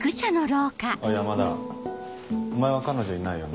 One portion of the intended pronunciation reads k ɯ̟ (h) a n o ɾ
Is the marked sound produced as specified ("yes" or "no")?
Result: no